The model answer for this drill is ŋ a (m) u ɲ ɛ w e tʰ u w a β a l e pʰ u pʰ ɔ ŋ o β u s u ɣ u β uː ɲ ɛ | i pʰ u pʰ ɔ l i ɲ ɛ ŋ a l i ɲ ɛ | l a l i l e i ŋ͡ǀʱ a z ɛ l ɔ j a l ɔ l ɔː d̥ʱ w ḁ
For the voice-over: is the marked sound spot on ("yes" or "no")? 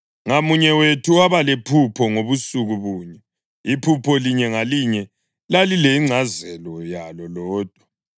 yes